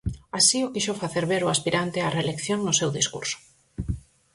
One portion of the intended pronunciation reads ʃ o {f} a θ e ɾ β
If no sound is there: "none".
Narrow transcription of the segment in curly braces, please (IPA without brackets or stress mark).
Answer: f